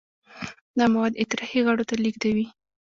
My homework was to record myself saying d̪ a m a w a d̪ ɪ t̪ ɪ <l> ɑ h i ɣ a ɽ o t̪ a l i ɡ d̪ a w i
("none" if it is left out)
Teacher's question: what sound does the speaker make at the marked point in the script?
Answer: ɾ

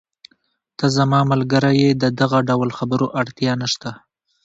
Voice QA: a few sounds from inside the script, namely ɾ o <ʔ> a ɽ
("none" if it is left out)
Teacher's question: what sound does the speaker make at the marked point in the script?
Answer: ʔ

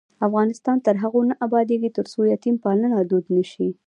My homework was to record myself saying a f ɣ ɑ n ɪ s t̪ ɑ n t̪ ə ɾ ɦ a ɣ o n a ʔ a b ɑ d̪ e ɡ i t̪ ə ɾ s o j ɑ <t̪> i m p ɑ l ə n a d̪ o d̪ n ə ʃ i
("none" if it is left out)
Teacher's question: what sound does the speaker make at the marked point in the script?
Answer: t̪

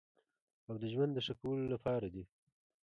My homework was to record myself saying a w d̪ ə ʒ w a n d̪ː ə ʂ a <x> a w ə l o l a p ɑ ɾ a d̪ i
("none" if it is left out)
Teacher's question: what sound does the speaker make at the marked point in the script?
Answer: k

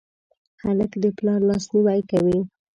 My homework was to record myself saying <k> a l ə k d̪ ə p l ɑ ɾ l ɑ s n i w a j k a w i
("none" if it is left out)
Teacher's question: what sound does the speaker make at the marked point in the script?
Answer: x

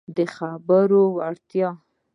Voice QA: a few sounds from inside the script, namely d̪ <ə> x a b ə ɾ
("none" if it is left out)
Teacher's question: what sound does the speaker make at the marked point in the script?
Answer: ə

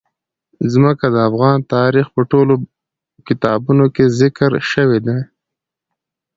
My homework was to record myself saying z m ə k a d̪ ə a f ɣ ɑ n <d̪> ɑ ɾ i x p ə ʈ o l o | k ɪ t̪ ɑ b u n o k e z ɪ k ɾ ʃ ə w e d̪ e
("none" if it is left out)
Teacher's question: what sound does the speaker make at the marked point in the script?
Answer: t̪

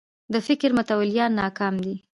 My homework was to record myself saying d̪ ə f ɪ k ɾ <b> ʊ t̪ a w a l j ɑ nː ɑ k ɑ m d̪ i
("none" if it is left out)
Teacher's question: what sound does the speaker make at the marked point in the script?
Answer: m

